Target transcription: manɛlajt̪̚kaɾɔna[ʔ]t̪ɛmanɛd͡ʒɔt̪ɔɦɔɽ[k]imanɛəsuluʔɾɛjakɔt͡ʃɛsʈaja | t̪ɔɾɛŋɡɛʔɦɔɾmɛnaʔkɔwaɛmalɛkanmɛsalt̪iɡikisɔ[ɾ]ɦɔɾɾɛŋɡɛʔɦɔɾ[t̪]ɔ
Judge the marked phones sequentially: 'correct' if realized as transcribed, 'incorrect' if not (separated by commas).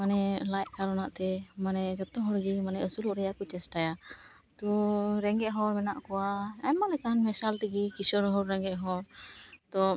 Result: correct, incorrect, correct, correct